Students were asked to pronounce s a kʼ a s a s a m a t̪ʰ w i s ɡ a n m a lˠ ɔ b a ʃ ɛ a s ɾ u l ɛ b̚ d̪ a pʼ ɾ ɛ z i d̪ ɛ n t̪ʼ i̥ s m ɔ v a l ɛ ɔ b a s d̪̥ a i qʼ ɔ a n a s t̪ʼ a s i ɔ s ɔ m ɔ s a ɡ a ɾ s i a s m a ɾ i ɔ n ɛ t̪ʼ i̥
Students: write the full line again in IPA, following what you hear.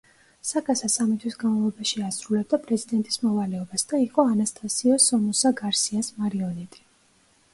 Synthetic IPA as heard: s a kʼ a s a s a m i t̪ʰ w i s ɡ a n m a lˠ ɔ b a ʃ i a s ɾ u l ɛ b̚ d̪ a pʼ ɾ ɛ z i d̪ ɛ n t̪ʼ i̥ s m ɔ v a l ɛ ɔ b a s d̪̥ a i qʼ ɔ a n a s t̪ʼ a s i ɔ s ɔ m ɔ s a ɡ a ɾ s i a s m a ɾ i ɔ n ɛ t̪ʼ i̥